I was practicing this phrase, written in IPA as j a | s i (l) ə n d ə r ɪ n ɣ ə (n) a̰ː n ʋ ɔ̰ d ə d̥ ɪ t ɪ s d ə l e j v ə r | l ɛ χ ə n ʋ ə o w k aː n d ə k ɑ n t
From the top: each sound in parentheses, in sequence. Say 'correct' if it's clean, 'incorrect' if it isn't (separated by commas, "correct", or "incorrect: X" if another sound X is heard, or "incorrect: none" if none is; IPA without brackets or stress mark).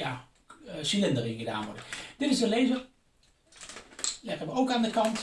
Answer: correct, incorrect: d